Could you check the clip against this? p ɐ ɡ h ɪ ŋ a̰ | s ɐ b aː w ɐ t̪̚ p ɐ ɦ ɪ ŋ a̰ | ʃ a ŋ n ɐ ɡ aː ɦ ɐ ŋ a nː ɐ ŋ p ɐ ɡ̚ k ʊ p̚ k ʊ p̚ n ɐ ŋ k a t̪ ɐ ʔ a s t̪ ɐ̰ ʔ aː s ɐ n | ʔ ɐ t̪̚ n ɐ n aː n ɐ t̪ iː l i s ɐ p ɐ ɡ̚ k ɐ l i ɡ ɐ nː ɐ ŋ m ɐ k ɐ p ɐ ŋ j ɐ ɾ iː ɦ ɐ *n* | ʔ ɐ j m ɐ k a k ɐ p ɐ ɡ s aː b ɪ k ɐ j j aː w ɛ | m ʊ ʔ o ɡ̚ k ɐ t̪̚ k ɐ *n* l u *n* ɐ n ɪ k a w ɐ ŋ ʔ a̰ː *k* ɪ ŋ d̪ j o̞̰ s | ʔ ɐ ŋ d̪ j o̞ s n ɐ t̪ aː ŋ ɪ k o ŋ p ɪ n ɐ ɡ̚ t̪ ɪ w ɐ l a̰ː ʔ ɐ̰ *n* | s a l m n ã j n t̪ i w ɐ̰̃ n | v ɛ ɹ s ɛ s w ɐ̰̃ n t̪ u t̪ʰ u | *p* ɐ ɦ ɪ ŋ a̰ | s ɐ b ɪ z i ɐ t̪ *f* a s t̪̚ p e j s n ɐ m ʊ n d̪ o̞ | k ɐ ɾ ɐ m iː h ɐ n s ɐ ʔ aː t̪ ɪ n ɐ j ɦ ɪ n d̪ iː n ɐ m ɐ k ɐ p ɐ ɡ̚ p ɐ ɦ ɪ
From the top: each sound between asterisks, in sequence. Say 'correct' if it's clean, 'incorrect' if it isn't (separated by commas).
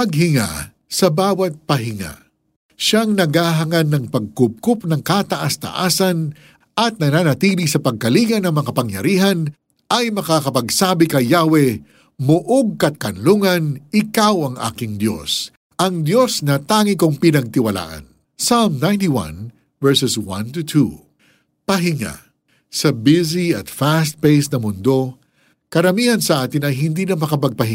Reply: correct, correct, incorrect, correct, correct, correct, correct